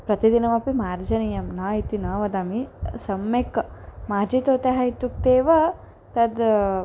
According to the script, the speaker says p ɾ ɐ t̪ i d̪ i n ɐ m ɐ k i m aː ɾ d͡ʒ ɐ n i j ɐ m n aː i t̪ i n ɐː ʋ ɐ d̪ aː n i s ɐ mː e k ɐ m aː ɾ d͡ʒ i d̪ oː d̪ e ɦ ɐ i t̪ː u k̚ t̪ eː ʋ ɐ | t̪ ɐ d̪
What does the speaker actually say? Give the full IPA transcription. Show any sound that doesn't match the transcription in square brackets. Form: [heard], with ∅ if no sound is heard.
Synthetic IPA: p ɾ ɐ t̪ i d̪ i n ɐ m ɐ [p] i m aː ɾ d͡ʒ ɐ n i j ɐ m n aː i t̪ i n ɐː ʋ ɐ d̪ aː [m] i s ɐ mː e k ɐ m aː ɾ d͡ʒ i [t̪] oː [t̪] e ɦ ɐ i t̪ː u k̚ t̪ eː ʋ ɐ | t̪ ɐ d̪